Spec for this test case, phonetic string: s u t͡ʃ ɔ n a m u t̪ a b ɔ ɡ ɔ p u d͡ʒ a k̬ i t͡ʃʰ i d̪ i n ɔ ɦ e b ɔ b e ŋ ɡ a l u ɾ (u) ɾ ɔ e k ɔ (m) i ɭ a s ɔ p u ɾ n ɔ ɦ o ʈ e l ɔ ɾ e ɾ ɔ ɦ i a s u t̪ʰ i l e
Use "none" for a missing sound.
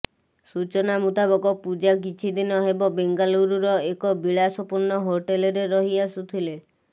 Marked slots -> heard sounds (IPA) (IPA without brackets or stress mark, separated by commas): u, b